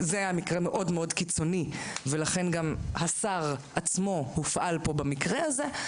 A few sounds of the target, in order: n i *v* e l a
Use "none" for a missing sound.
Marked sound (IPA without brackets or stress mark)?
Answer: v